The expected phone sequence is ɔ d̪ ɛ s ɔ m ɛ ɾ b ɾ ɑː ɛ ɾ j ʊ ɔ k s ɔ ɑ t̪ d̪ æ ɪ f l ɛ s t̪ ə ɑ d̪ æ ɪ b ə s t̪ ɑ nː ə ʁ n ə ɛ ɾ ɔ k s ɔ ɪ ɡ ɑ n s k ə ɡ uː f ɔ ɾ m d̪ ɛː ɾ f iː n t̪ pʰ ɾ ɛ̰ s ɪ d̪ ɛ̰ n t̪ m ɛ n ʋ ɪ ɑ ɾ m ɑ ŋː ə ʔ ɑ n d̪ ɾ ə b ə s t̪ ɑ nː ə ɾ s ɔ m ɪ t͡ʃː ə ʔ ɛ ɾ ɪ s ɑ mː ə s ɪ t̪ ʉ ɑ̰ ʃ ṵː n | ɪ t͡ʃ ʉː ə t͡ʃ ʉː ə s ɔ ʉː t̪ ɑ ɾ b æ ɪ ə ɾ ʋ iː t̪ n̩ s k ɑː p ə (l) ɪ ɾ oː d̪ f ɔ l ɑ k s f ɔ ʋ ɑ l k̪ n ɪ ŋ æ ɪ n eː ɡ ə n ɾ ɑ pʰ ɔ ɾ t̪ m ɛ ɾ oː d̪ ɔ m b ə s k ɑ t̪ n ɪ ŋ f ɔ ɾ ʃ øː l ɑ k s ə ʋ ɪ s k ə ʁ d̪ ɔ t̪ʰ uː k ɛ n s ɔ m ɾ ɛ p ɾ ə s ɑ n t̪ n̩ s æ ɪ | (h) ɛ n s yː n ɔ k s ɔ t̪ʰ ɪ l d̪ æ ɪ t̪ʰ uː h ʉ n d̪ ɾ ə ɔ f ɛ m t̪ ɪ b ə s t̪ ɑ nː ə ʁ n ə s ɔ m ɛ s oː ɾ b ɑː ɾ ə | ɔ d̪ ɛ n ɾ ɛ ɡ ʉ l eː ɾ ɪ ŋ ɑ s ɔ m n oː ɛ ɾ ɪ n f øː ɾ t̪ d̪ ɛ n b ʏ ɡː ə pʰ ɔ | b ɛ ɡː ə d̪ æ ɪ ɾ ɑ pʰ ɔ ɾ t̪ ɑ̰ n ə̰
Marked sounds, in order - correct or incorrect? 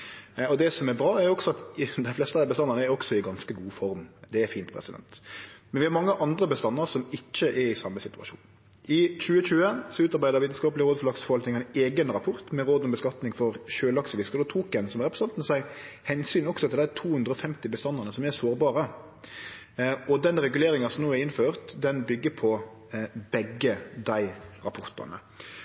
correct, correct

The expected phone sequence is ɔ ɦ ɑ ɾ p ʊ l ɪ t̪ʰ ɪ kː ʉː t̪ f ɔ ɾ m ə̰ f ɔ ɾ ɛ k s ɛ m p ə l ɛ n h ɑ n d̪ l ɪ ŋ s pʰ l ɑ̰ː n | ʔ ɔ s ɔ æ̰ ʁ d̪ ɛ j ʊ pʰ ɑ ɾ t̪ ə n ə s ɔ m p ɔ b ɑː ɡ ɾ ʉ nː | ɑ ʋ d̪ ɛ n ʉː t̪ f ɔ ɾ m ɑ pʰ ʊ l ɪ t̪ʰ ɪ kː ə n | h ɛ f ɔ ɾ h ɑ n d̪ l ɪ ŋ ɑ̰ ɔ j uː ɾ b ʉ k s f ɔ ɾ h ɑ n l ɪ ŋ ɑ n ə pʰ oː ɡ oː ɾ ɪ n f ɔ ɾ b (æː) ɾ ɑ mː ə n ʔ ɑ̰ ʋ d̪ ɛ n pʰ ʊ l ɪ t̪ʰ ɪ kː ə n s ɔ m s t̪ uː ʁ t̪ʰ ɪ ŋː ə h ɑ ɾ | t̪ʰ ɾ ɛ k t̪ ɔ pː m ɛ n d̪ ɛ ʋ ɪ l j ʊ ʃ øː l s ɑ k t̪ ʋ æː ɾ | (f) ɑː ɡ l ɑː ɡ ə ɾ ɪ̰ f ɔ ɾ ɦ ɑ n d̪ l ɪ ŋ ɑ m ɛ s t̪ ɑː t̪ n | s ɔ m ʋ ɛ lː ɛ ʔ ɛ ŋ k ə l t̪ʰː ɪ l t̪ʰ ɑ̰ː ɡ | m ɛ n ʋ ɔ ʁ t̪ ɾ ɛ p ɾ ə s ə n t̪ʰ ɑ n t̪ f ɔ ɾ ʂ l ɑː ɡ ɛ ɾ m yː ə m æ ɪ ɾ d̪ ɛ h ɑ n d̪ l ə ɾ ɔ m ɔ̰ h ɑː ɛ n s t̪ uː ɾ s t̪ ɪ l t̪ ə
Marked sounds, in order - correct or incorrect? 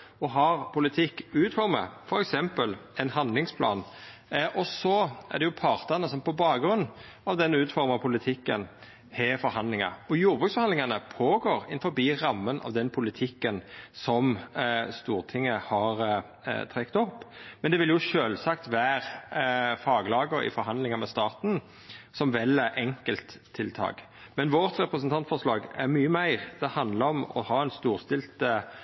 incorrect, correct

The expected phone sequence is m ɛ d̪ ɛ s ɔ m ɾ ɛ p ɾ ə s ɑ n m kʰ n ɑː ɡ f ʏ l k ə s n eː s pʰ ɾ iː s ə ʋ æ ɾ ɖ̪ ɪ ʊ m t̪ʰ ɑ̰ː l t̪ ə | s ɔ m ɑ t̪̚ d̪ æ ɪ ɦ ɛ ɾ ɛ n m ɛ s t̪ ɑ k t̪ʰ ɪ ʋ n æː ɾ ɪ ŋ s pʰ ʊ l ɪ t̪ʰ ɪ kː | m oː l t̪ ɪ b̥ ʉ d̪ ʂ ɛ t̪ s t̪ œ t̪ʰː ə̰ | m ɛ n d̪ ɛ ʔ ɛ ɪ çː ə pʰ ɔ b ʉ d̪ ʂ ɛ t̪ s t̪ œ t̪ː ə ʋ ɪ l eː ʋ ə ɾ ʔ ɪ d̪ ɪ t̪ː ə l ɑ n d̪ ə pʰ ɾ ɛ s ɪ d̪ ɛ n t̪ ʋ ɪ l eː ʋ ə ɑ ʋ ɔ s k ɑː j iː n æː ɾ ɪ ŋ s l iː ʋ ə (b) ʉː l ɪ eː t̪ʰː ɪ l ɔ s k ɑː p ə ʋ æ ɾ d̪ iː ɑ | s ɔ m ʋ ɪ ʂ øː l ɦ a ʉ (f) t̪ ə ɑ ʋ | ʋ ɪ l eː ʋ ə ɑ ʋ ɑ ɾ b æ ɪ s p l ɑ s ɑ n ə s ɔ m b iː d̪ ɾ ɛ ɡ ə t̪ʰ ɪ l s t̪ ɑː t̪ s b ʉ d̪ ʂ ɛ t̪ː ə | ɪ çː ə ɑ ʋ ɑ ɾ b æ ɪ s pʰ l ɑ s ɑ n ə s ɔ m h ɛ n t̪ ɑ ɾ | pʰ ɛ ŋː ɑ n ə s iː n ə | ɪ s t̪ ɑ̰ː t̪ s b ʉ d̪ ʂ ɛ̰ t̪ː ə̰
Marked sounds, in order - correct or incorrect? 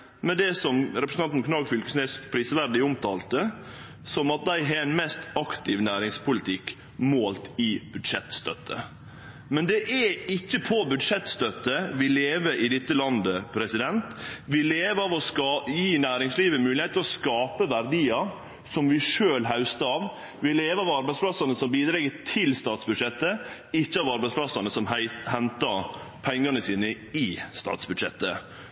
incorrect, incorrect

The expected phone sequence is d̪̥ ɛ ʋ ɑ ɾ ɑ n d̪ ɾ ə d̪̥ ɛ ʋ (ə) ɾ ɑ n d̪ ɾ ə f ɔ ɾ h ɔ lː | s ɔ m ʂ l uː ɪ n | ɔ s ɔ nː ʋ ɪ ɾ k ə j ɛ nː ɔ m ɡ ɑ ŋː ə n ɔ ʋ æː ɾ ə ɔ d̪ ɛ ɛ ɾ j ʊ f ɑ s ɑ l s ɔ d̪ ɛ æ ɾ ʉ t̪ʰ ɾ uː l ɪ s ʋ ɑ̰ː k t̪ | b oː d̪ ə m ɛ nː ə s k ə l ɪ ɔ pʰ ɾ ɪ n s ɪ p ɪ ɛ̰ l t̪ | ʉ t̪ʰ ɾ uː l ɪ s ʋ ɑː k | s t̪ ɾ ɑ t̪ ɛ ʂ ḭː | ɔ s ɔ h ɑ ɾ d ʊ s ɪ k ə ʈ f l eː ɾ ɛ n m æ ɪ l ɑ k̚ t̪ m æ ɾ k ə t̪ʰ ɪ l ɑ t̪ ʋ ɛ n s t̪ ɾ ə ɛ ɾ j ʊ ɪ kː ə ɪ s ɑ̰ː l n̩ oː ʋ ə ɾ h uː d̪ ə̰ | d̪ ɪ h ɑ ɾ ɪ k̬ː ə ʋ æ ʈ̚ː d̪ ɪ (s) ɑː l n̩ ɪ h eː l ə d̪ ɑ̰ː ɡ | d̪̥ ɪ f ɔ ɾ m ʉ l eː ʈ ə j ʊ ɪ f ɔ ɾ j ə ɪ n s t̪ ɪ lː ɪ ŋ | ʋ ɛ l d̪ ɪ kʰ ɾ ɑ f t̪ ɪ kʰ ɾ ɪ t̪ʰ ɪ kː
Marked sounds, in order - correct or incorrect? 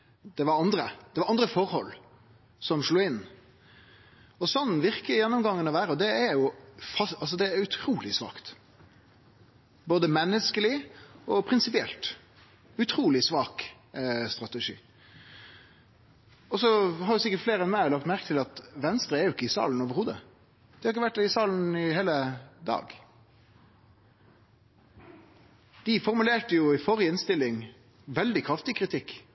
incorrect, correct

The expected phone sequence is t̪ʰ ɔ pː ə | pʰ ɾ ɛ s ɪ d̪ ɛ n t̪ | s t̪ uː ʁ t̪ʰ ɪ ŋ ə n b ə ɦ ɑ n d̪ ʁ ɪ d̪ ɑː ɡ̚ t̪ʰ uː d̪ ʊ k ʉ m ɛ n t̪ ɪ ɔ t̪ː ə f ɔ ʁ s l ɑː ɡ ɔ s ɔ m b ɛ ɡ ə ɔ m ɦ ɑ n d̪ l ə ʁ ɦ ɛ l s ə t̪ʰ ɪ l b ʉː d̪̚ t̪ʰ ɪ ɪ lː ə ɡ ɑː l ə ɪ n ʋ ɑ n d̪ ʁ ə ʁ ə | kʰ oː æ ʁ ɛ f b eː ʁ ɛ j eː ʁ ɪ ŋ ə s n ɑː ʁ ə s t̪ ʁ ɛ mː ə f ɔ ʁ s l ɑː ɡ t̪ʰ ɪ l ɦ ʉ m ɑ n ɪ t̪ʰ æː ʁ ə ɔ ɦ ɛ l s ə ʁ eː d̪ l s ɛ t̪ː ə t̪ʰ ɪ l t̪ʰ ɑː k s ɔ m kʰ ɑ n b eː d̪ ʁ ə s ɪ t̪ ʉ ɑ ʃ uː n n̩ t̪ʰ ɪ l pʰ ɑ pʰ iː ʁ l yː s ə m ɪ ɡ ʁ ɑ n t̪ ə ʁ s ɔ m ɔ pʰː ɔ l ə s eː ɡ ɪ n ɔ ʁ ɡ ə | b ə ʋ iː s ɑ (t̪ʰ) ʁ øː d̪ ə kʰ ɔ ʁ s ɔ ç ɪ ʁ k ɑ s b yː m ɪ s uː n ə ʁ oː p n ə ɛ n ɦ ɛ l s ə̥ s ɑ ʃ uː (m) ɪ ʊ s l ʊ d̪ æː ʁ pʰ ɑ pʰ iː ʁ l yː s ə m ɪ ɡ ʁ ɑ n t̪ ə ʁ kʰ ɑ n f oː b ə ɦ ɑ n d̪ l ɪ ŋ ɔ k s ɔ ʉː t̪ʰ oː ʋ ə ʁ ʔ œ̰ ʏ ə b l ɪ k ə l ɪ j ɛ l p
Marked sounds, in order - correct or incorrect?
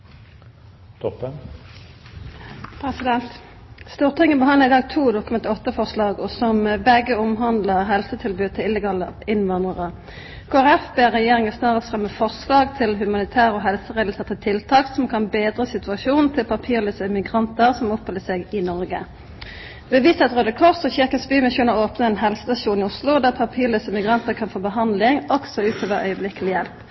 incorrect, incorrect

